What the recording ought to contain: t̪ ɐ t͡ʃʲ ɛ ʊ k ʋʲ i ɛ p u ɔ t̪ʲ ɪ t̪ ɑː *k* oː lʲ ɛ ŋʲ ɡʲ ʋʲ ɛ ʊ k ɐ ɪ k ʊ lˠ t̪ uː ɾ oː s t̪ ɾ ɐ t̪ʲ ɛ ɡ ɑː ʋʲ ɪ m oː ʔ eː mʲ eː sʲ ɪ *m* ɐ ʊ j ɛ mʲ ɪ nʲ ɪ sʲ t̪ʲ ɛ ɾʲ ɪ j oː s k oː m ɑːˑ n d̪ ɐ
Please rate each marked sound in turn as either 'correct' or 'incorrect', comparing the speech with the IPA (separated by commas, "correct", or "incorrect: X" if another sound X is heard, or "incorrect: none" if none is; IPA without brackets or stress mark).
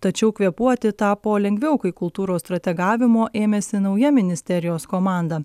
incorrect: p, incorrect: n